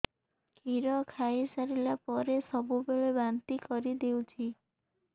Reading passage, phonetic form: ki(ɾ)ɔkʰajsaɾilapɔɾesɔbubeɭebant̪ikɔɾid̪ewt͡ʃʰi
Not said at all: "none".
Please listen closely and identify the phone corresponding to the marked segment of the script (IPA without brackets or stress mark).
ɾ